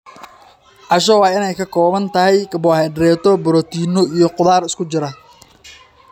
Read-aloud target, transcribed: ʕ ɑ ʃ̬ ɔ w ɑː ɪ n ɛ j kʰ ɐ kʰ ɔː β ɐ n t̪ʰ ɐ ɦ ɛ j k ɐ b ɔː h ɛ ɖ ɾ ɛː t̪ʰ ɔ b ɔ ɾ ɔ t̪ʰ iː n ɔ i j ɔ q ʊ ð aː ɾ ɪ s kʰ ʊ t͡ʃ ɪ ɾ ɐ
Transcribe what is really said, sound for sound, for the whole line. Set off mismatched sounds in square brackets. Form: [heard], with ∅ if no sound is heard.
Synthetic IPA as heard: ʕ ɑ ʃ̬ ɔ w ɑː ɪ n ɛ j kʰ ɐ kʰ ɔː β ɐ n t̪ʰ ɐ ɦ ɛ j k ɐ b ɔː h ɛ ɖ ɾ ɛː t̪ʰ ɔ b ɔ ɾ ɔ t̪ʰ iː n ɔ i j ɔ q ʊ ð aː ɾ ɪ s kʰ ʊ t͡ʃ ɪ ɾ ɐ